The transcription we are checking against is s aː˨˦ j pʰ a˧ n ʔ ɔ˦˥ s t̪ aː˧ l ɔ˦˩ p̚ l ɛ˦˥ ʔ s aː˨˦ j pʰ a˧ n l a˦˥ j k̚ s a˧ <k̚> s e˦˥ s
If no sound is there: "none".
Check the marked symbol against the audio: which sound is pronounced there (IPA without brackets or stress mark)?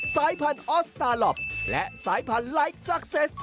k̚